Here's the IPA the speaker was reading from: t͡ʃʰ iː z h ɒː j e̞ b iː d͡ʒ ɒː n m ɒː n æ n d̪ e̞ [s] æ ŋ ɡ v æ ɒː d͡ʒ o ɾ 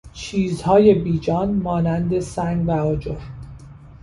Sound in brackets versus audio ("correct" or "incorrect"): correct